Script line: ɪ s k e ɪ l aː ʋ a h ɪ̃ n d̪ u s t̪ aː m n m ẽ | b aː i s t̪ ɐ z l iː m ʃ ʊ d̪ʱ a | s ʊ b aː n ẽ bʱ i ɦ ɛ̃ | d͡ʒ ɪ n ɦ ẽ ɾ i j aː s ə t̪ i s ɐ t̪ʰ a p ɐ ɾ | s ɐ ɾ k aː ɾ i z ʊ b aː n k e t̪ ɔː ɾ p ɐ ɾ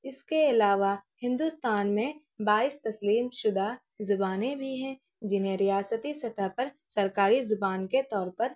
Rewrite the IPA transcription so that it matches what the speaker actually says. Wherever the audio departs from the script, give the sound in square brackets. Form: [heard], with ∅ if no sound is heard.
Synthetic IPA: ɪ s k e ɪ l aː ʋ a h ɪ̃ n d̪ u s t̪ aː [∅] n m ẽ | b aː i s t̪ ɐ [s] l iː m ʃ ʊ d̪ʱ a | [z] ʊ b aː n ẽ bʱ i ɦ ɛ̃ | d͡ʒ ɪ n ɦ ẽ ɾ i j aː s ə t̪ i s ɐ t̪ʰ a p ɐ ɾ | s ɐ ɾ k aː ɾ i z ʊ b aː n k e t̪ ɔː ɾ p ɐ ɾ